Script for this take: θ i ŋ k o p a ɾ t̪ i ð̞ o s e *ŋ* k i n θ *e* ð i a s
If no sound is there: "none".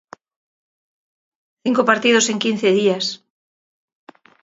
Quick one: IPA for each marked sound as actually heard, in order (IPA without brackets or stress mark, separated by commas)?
ŋ, e